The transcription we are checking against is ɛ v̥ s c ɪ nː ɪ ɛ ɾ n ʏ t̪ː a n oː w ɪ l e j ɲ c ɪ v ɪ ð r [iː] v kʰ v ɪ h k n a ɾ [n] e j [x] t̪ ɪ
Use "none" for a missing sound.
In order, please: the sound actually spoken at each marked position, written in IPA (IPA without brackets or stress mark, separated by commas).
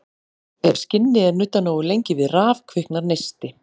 aː, n, s